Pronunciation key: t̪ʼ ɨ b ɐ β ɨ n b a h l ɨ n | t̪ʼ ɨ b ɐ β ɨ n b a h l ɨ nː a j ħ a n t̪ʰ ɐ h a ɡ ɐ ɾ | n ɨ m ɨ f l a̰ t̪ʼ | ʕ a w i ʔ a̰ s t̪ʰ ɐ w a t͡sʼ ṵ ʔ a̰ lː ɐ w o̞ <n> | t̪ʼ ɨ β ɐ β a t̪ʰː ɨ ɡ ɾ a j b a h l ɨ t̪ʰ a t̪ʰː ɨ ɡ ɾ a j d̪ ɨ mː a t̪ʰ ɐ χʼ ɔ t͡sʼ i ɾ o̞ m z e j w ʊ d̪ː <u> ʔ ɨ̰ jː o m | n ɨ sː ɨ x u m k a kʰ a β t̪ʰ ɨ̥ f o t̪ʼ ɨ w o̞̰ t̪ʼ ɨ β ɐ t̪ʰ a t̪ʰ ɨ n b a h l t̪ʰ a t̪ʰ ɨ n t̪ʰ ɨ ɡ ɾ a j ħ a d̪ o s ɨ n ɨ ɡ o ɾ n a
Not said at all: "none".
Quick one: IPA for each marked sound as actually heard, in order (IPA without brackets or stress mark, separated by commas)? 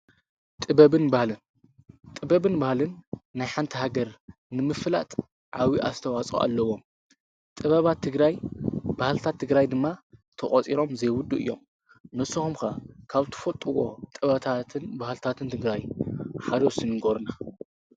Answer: m, u